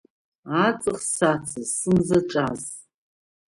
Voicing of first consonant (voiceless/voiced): voiceless